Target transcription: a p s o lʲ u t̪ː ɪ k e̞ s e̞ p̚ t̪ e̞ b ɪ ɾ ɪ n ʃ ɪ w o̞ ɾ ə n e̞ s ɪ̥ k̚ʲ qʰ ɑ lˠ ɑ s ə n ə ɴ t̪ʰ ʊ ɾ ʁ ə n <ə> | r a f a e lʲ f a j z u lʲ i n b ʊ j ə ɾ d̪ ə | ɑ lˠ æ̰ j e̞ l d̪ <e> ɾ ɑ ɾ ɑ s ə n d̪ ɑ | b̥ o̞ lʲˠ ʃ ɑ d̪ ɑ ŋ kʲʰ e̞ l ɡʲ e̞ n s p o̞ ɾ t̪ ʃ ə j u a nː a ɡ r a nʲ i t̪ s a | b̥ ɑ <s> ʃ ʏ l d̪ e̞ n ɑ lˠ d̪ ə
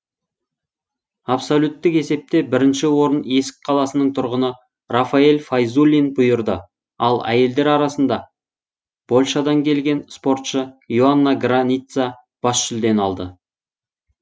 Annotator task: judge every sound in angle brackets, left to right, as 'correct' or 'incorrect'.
correct, correct, correct

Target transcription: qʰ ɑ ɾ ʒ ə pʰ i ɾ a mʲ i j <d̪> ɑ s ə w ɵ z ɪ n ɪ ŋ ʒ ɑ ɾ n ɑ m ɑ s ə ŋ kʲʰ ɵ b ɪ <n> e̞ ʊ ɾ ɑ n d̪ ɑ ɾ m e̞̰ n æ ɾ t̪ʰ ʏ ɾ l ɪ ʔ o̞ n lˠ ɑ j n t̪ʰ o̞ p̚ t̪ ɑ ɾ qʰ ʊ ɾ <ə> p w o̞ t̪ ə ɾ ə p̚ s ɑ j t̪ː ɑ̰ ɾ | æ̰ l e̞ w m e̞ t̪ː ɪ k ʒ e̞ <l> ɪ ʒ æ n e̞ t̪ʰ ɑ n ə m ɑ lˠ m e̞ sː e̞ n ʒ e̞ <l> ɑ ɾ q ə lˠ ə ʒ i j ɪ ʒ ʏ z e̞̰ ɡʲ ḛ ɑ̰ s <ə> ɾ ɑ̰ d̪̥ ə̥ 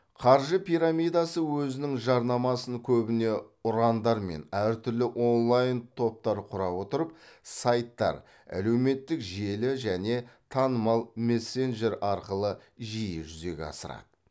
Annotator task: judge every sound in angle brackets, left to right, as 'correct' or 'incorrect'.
correct, correct, incorrect: ɑ, correct, incorrect: ɾ, correct

